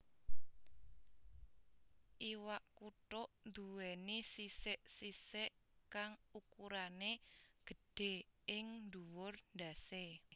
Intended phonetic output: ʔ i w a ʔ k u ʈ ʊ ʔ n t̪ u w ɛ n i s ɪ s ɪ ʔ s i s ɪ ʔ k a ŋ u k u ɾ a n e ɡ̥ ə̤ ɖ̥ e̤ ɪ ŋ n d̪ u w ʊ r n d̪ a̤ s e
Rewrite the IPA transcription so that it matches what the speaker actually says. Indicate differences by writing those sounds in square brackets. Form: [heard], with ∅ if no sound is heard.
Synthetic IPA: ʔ i w a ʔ k u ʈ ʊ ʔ n [d̪] u w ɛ n i s [i] s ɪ ʔ s i s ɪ ʔ k a ŋ u k u ɾ a n e ɡ̥ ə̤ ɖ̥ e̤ ɪ ŋ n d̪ u w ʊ r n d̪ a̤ s e

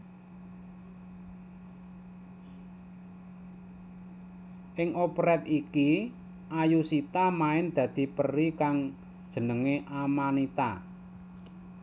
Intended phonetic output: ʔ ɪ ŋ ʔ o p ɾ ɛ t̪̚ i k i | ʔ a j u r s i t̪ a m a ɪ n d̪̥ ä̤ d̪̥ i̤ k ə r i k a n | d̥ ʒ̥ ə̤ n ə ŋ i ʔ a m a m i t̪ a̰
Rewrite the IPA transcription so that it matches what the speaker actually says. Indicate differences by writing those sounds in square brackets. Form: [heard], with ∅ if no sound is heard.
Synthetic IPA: ʔ ɪ ŋ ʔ o p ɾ ɛ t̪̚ i k i | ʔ a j u [∅] s i t̪ a m a ɪ n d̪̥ ä̤ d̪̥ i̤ [p] ə r i k a [ŋ] | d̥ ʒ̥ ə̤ n ə ŋ [e] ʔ a m a [n] i t̪ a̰

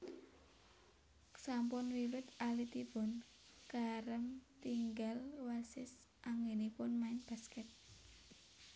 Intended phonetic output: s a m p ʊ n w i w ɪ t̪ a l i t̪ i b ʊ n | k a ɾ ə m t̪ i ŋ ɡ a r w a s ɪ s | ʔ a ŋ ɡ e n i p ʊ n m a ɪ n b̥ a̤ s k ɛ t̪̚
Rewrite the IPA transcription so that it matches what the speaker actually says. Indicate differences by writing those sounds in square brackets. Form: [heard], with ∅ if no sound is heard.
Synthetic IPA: s a m p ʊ n w i w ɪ t̪ a l i t̪ i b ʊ n | k a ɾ ə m t̪ i ŋ ɡ a [l] w a s ɪ s | ʔ a ŋ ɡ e n i p ʊ n m a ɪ n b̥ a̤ s k ɛ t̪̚

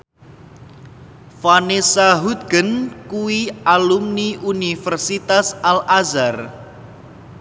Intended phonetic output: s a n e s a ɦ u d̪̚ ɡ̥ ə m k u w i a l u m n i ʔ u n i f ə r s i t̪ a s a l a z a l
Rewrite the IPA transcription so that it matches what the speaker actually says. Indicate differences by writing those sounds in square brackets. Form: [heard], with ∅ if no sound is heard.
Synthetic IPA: [f] a n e s a ɦ u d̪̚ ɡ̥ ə [n] k u w i a l u m n i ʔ u n i f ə r s i t̪ a s a l a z a [r]

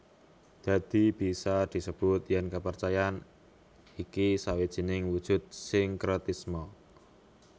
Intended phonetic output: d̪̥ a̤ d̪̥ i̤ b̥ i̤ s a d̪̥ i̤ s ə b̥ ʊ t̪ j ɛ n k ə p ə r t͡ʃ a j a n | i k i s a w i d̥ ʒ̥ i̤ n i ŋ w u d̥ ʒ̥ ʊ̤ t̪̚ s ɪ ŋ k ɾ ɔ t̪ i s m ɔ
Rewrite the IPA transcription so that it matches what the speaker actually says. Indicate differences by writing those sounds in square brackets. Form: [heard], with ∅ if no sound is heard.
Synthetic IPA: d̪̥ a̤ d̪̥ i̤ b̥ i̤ s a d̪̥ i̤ s ə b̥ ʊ t̪ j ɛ n k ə p ə r t͡ʃ a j a n | i k i s a w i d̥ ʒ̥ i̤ n [ɪ] ŋ w u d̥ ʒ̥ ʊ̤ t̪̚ s ɪ ŋ k ɾ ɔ t̪ i s m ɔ

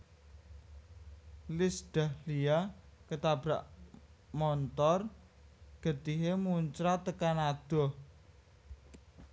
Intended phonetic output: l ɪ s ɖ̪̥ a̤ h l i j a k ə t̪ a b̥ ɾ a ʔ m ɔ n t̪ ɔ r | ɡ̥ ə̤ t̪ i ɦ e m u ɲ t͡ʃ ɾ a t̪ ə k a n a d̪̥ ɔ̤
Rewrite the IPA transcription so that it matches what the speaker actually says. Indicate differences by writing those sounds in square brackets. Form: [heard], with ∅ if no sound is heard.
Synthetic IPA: l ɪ s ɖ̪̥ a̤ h l i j a k ə t̪ a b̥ ɾ a ʔ m ɔ n t̪ ɔ r | ɡ̥ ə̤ t̪ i ɦ e m u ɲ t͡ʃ ɾ a t̪ ə k a n a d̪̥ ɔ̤

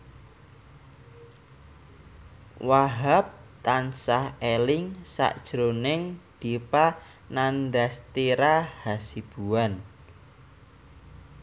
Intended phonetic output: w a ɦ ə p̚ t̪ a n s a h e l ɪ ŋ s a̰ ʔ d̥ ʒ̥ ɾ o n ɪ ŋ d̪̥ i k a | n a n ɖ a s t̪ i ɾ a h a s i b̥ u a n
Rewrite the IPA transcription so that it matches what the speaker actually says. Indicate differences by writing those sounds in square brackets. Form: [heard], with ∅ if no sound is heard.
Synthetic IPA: w a ɦ [a] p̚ t̪ a n s a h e l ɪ ŋ s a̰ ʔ d̥ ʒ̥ ɾ o n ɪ ŋ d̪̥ i [p] a | n a n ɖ a s t̪ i ɾ a h a s i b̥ u a n

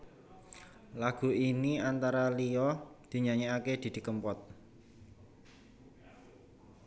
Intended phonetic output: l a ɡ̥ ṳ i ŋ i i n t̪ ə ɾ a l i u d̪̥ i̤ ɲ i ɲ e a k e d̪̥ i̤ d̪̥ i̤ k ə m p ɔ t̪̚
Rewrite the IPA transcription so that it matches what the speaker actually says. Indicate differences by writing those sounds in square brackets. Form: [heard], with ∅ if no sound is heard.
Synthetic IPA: l a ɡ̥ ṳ i [n] i [a] n t̪ [a] ɾ a l i [ɔ] d̪̥ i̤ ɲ [a] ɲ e a k e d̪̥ i̤ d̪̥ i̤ k ə m p ɔ t̪̚

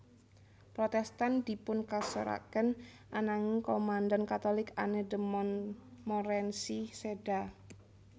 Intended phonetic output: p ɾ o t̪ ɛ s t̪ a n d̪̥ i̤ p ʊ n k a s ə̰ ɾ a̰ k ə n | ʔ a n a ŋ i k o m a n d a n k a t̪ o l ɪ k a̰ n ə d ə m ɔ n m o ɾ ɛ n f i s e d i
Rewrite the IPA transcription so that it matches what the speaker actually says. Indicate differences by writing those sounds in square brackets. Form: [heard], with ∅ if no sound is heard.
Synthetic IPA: p ɾ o t̪ ɛ s t̪ a n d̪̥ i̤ p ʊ n k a s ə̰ ɾ a̰ k ə n | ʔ a n a ŋ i k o m a n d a n k a t̪ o l ɪ k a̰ n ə d ə m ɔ n m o ɾ ɛ n [s] i s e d [a]

